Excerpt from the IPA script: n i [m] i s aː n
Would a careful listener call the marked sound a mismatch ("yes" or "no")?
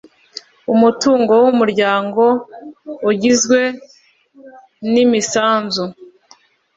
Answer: no